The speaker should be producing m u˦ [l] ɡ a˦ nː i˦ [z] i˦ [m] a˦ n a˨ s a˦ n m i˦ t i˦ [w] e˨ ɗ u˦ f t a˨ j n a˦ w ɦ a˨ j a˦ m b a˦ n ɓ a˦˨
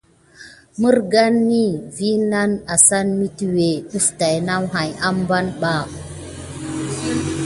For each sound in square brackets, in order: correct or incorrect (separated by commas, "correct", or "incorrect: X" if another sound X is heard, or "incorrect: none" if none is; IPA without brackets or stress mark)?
incorrect: ɾ, incorrect: v, incorrect: n, correct